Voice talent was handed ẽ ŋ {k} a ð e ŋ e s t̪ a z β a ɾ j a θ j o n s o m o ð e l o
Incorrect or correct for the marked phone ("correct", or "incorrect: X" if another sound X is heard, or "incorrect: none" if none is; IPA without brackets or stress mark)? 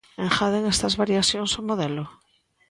incorrect: x